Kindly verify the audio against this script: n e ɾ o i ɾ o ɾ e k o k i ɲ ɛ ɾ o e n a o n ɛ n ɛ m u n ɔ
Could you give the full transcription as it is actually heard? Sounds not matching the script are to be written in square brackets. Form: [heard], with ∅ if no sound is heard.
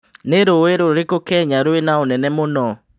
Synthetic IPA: n e ɾ o [e] ɾ o ɾ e k o k [ɛ] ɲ [a] ɾ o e n a o n ɛ n ɛ m [o] n ɔ